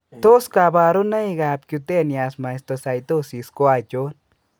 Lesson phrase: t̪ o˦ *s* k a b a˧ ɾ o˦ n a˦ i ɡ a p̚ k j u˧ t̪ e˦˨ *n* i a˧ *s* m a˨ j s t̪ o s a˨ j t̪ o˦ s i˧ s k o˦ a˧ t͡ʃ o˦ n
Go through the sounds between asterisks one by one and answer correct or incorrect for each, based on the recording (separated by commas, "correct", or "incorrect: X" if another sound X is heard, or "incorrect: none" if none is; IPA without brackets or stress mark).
correct, correct, correct